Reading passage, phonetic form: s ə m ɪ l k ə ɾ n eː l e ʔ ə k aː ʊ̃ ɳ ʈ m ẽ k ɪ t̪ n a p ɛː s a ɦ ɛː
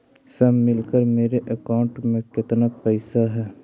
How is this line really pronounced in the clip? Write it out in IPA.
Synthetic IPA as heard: s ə m ɪ l k ə ɾ m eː ɾ e ʔ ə k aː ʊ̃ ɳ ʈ m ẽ k ɪ t̪ n a p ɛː s a ɦ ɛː